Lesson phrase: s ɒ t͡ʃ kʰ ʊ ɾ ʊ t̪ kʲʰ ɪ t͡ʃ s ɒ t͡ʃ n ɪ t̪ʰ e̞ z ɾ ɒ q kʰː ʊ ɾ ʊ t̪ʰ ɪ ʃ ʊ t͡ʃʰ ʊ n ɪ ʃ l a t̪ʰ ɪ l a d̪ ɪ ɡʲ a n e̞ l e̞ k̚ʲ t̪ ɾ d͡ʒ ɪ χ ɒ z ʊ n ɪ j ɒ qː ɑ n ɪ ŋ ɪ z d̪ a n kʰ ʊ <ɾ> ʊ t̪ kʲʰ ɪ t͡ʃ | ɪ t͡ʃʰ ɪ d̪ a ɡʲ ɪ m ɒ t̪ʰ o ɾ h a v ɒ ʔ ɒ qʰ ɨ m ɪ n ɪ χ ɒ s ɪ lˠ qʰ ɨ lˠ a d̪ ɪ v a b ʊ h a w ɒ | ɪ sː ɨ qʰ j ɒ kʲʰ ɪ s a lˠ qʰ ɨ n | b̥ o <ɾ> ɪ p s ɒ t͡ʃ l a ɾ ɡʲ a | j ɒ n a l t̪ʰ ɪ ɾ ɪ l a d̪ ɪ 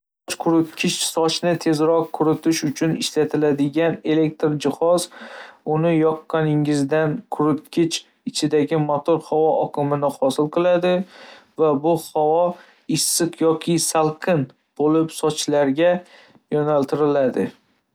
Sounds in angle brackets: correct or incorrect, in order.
correct, incorrect: l

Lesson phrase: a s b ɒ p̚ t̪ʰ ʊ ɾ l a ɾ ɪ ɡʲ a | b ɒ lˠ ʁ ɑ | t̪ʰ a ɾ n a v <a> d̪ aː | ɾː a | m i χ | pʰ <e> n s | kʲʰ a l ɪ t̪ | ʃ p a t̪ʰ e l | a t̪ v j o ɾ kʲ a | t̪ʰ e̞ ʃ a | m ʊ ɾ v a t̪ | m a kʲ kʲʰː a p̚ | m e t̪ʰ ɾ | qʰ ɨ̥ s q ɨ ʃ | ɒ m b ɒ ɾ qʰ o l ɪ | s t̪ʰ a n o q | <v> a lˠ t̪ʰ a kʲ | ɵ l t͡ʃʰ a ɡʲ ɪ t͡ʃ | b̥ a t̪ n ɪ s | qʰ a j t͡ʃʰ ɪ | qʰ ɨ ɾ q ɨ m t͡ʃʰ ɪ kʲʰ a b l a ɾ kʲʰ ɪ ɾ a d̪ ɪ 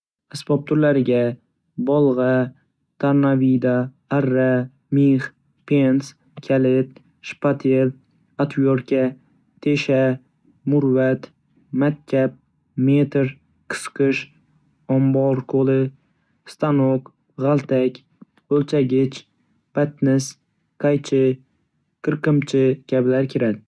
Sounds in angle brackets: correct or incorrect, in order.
incorrect: i, correct, incorrect: ʁ

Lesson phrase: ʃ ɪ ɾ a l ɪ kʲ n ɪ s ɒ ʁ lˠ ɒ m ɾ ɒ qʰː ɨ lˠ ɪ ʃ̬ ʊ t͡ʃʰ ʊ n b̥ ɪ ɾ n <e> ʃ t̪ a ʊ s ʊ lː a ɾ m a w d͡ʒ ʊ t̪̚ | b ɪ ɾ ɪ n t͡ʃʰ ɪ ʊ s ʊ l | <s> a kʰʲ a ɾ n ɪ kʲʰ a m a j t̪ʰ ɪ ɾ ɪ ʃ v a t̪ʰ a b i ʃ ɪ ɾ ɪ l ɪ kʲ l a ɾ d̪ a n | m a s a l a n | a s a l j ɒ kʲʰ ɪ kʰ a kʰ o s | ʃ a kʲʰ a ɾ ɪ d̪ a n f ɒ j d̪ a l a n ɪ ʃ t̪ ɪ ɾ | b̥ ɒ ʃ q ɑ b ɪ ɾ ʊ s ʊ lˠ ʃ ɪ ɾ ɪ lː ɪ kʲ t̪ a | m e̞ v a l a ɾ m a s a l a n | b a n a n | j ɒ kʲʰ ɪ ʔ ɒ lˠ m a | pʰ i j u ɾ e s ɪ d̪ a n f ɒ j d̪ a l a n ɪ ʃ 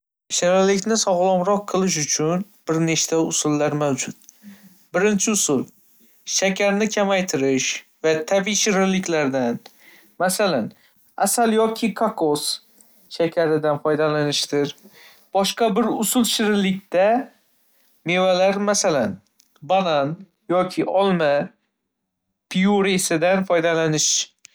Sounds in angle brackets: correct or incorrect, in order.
correct, incorrect: ʃ

